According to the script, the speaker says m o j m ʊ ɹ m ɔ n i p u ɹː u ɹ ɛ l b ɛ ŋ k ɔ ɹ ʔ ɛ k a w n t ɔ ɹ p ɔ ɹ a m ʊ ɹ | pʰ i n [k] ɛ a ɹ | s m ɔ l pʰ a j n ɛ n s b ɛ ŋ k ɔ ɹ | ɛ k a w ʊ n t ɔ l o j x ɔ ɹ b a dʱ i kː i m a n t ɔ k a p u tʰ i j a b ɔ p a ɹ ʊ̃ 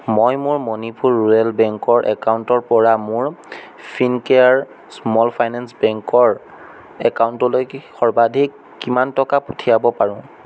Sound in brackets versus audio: correct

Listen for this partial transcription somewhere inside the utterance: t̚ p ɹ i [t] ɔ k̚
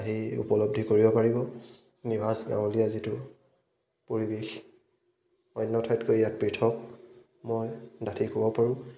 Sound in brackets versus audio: incorrect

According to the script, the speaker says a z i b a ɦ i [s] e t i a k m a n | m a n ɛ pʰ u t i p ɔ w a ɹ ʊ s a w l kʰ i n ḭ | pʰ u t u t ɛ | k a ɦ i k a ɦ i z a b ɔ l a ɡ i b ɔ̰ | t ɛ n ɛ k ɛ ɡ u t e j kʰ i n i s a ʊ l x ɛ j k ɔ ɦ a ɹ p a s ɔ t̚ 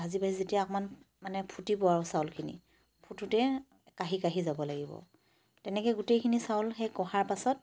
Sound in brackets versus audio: incorrect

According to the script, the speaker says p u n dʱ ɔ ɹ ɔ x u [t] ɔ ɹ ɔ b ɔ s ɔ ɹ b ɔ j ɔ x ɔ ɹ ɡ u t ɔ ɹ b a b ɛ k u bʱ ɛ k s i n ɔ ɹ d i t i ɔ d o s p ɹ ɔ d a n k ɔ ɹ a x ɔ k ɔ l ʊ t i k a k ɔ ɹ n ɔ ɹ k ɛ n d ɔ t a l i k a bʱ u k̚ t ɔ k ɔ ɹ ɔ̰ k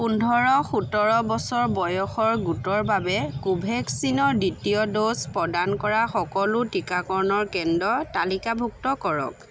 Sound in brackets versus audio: correct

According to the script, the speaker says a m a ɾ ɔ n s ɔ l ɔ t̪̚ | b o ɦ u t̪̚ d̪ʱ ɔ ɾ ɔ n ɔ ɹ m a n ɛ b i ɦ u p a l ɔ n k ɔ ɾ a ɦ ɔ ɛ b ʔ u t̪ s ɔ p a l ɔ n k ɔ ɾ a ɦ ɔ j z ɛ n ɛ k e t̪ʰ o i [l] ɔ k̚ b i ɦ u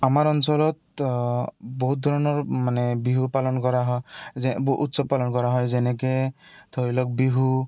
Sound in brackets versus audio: correct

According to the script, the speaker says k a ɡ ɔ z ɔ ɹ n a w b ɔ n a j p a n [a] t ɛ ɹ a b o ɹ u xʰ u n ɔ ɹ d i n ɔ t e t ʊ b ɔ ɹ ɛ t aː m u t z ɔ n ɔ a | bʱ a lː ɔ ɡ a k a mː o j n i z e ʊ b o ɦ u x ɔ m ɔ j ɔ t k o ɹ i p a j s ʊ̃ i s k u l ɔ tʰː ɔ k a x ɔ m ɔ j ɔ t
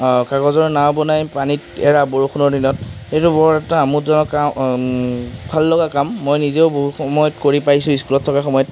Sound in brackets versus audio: incorrect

